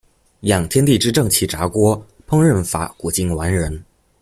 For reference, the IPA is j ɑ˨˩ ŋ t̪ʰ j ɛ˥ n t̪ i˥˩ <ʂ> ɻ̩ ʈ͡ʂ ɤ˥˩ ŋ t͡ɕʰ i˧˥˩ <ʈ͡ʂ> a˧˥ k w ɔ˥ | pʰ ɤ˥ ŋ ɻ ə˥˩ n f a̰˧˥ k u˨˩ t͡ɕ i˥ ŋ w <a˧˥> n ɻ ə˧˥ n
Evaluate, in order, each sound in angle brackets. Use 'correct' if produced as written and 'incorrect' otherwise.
incorrect: ʈ͡ʂ, correct, correct

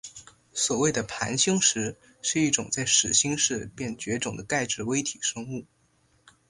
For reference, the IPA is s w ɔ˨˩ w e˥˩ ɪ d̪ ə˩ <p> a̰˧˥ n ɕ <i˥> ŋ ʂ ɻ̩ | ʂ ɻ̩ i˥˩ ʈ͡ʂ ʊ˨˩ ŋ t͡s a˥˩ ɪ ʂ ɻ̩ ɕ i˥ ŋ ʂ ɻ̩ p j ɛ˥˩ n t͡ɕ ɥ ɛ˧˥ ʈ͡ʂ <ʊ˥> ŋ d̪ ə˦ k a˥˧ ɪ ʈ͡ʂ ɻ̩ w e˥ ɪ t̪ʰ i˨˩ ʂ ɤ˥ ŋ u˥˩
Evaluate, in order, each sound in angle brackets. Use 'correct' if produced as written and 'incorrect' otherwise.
incorrect: pʰ, correct, incorrect: ʊ˨˩

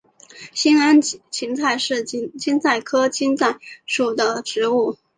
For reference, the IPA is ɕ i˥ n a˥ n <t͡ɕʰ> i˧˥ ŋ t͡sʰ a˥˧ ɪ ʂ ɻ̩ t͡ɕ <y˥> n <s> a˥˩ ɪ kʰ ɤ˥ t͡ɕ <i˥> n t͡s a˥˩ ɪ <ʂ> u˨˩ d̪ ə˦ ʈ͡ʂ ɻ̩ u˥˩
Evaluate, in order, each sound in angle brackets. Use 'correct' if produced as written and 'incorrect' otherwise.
correct, incorrect: i˥, incorrect: t͡s, correct, correct

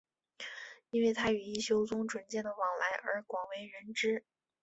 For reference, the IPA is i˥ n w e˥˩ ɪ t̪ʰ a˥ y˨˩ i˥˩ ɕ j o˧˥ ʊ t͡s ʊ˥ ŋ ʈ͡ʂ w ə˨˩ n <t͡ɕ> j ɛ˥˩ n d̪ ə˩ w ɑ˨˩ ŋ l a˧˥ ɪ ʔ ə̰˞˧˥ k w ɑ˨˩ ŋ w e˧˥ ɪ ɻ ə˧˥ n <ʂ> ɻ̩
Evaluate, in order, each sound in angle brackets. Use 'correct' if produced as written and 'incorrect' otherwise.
correct, incorrect: ʈ͡ʂ

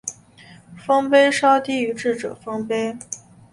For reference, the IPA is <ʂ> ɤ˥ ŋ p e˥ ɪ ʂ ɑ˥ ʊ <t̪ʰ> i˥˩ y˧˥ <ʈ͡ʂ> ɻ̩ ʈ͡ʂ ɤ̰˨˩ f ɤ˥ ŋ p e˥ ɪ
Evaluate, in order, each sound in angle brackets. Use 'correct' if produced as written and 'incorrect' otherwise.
incorrect: f, incorrect: t̪, correct

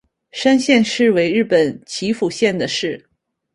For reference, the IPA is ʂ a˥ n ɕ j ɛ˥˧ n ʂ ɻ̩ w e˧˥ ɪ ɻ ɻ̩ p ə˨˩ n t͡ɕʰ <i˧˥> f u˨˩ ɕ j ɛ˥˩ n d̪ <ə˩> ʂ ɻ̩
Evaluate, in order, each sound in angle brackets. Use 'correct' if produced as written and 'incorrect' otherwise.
correct, correct

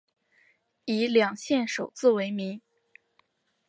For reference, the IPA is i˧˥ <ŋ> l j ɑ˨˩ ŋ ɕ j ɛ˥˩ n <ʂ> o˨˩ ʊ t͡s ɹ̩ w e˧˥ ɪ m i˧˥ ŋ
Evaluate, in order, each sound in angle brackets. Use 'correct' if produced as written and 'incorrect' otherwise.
incorrect: none, correct

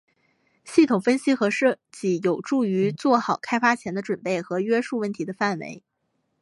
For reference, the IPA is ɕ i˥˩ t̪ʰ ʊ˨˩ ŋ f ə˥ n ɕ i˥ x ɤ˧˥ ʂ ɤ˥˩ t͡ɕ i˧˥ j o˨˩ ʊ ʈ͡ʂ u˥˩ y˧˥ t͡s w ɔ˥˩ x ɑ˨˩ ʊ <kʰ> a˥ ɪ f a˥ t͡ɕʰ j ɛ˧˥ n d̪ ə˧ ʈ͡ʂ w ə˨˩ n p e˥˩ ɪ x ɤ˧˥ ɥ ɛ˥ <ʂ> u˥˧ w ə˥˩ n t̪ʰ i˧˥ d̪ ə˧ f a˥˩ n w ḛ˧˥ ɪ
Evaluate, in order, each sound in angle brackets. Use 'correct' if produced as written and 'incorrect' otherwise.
correct, correct

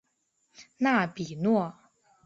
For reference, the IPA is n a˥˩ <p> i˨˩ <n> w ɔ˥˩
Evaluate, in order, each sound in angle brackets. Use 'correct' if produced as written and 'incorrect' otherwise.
correct, correct

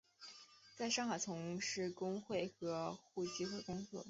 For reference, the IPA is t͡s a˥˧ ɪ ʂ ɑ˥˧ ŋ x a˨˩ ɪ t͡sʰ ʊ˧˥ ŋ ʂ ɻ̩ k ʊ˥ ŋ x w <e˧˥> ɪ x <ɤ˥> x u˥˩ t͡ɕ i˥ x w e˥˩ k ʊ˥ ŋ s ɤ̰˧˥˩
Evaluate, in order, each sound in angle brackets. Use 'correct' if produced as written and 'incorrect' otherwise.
incorrect: e˥˩, incorrect: ɤ˧˥

